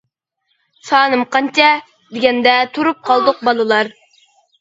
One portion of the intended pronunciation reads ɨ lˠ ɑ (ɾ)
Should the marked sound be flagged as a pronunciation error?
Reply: no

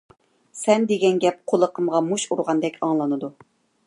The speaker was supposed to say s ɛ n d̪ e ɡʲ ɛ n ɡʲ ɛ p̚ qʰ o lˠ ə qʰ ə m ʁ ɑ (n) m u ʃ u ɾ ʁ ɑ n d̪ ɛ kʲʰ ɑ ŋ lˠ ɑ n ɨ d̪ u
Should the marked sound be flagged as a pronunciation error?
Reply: yes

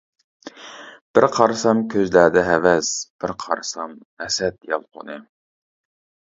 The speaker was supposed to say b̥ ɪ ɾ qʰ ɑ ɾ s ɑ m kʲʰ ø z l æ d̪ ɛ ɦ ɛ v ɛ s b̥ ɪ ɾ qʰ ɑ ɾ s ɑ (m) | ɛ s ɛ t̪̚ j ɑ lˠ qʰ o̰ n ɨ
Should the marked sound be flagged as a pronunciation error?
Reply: no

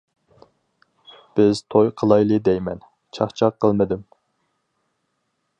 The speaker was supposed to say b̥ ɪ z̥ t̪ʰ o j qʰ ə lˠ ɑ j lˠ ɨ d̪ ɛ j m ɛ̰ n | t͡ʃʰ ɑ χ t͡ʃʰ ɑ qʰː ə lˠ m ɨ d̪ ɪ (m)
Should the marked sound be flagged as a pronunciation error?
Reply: no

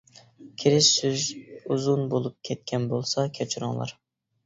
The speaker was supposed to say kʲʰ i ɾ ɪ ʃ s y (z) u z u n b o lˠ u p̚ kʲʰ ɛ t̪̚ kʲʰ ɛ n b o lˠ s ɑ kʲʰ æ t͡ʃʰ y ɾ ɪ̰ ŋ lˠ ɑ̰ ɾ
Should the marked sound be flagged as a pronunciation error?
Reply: no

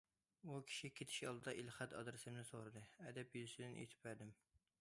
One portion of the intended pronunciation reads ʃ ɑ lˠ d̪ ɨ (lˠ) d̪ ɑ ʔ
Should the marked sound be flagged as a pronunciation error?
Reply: yes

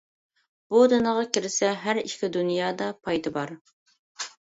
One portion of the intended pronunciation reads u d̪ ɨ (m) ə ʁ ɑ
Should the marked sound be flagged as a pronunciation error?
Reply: yes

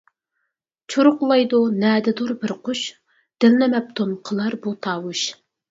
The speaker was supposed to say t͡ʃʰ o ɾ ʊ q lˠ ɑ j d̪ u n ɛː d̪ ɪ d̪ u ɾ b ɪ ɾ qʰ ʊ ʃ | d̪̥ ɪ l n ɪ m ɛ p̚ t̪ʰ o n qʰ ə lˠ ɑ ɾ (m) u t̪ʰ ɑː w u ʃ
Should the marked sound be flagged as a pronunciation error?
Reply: yes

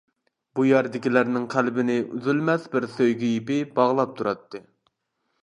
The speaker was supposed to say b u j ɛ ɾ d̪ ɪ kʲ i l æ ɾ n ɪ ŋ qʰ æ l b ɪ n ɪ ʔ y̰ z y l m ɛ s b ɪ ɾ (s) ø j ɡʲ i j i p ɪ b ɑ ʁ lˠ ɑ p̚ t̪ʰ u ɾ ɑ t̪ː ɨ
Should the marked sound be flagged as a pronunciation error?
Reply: no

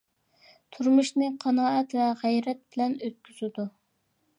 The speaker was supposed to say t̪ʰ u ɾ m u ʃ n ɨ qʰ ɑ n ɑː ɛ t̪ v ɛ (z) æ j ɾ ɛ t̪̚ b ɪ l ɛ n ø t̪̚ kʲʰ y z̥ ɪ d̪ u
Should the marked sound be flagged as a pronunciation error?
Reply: yes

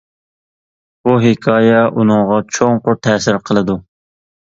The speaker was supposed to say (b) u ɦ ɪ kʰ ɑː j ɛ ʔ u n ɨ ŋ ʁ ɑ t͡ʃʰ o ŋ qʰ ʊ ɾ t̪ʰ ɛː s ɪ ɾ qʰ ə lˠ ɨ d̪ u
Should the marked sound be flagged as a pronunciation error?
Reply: no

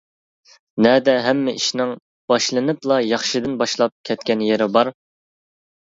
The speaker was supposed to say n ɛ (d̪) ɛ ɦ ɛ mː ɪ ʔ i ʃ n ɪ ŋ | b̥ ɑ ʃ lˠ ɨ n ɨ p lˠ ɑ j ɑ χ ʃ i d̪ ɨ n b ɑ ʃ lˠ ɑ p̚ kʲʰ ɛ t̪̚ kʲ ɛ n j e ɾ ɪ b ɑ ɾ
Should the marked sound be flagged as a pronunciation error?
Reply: no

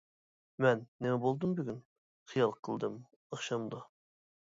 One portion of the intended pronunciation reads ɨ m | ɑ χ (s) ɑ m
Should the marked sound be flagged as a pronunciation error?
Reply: yes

